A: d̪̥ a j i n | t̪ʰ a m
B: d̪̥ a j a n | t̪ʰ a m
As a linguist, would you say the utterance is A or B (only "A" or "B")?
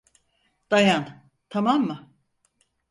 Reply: B